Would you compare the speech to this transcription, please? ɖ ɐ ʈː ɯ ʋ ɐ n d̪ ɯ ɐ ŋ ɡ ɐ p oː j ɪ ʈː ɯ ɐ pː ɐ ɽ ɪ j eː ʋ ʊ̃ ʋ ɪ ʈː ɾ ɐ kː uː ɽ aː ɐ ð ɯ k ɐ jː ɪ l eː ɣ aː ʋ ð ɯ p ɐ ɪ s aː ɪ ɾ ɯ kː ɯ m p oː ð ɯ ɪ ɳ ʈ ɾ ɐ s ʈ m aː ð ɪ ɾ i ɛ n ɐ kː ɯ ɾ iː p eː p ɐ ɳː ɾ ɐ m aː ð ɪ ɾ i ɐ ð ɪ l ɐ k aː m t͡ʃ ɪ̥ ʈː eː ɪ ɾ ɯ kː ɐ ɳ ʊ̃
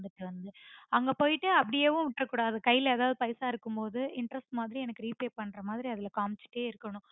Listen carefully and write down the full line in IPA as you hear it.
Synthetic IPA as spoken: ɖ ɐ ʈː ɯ ʋ ɐ n d̪ ɯ ɐ ŋ ɡ ɐ p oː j ɪ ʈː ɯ ɐ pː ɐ ɽ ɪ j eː ʋ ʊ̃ ʋ ɪ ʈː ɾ ɐ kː uː ɽ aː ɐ ð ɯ k ɐ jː ɪ l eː ð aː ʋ ð ɯ p ɐ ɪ s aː ɪ ɾ ɯ kː ɯ m p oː ð ɯ ɪ ɳ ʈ ɾ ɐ s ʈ m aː ð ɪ ɾ i ɛ n ɐ kː ɯ ɾ iː p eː p ɐ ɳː ɾ ɐ m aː ð ɪ ɾ i ɐ ð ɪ l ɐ k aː m t͡ʃ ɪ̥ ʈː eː ɪ ɾ ɯ kː ɐ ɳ ʊ̃

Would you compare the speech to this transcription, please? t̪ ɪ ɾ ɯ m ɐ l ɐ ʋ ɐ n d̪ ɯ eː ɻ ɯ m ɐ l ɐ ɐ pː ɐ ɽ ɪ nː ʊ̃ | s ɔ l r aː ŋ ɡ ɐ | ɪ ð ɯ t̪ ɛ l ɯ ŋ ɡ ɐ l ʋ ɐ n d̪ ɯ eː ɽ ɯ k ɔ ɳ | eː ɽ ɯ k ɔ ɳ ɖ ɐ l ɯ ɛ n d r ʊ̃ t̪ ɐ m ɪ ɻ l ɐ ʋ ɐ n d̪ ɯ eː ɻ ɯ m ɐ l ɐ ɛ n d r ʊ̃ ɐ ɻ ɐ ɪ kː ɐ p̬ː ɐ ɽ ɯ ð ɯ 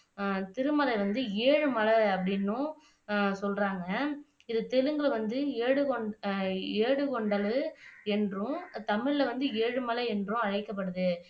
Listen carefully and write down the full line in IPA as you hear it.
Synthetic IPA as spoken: t̪ ɪ ɾ ɯ m ɐ l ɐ ʋ ɐ n d̪ ɯ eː ɻ ɯ m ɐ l ɐ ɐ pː ɐ ɽ ɪ nː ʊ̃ | s ɔ l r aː ŋ ɡ ɐ | ɪ ð ɯ t̪ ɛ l ɯ ŋ ɡ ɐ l ʋ ɐ n d̪ ɯ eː ɽ ɯ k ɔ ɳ | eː ɽ ɯ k ɔ ɳ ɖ ɐ l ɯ ɛ n d r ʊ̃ t̪ ɐ m ɪ ɻ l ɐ ʋ ɐ n d̪ ɯ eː ɻ ɯ m ɐ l ɐ ɛ n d r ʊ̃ ɐ ɻ ɐ ɪ kː ɐ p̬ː ɐ ɽ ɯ ð ɯ

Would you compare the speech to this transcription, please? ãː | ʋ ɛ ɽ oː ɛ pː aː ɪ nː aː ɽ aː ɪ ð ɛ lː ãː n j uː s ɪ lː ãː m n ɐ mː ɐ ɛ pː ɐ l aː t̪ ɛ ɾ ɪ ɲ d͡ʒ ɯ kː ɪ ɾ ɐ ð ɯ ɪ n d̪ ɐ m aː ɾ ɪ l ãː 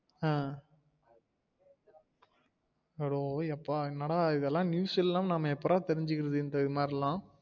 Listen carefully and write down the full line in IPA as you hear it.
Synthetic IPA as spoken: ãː | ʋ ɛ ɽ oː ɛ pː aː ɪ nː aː ɽ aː ɪ ð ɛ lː ãː n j uː s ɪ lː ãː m n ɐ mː ɐ ɛ pː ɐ ɾ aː t̪ ɛ ɾ ɪ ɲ d͡ʒ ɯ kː ɪ ɾ ɐ ð ɯ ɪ n d̪ ɐ m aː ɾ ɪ l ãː

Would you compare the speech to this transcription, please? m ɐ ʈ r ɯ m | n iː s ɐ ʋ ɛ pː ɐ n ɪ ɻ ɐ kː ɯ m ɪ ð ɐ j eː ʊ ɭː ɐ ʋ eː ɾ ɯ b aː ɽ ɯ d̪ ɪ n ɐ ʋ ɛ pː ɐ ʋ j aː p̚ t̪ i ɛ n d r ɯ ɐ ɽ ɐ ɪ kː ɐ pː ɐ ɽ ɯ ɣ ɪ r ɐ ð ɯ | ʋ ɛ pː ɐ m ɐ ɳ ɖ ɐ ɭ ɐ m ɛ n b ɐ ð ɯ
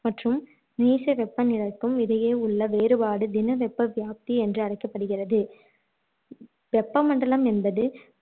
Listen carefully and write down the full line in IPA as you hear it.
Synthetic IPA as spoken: m ɐ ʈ r ɯ m | n iː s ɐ ʋ ɛ pː ɐ n ɪ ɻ ɐ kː ɯ m ɪ ð ɐ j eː ʊ ɭː ɐ ʋ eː ɾ ɯ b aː ɽ ɯ d̪ ɪ n ɐ ʋ ɛ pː ɐ ʋ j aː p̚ t̪ i ɛ n d r ɯ ɐ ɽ ɐ ɪ kː ɐ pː ɐ ɽ ɯ ɣ ɪ r ɐ ð ɯ | ʋ ɛ pː ɐ m ɐ ɳ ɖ ɐ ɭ ɐ m ɛ n b ɐ ð ɯ

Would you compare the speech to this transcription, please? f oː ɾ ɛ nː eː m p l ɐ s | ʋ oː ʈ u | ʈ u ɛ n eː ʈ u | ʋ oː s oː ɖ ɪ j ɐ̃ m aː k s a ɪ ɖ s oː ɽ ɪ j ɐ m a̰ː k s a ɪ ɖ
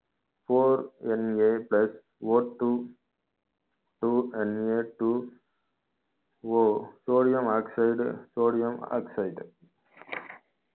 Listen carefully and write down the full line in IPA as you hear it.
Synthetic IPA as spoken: f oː ɾ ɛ n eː p l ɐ s | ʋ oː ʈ u | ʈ u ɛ n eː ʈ u | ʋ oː s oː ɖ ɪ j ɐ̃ m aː k s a ɪ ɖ s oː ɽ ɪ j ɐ m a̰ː k s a ɪ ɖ

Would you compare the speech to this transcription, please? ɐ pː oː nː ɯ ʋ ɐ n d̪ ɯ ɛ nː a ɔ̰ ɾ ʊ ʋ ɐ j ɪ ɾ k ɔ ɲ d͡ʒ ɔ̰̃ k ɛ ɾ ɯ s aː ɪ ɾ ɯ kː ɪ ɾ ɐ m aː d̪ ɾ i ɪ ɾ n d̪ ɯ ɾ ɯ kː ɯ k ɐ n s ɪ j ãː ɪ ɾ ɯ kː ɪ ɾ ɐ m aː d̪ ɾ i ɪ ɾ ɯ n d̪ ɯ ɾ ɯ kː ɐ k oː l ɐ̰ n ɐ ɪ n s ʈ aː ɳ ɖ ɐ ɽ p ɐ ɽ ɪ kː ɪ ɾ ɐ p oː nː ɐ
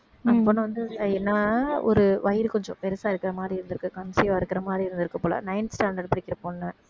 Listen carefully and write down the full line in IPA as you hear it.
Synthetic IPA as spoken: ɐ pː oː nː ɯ ʋ ɐ n d̪ ɯ ɛ nː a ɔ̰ ɾ ɯ ʋ ɐ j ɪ ɾ k ɔ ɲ d͡ʒ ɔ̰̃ p ɛ ɾ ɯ s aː ɪ ɾ ɯ kː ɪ ɾ ɐ m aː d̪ ɾ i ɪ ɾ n d̪ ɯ ɾ ɯ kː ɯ k ɐ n s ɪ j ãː ɪ ɾ ɯ kː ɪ ɾ ɐ m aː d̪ ɾ i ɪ ɾ ɯ n d̪ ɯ ɾ ɯ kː ɐ p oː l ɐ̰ n ɐ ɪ n s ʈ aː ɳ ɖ ɐ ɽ p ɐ ɽ ɪ kː ɪ ɾ ɐ p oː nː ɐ

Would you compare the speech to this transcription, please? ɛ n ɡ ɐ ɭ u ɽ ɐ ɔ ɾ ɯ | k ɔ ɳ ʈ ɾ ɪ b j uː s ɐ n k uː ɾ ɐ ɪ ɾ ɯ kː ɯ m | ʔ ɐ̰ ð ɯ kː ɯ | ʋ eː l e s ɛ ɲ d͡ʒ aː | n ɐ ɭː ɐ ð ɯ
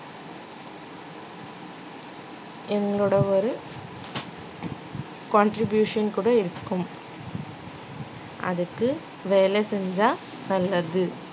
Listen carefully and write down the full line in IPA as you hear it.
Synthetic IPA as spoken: ɛ ŋ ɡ ɐ ɭ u ɽ ɐ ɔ ɾ ɯ | k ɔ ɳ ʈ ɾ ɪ b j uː ʂ ɐ n k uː ɽ ɐ ɪ ɾ ɯ kː ɯ m | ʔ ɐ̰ ð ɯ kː ɯ | ʋ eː l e s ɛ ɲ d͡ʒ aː | n ɐ lː ɐ ð ɯ

